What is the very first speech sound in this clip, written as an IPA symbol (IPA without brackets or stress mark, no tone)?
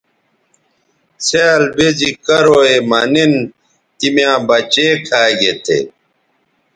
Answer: s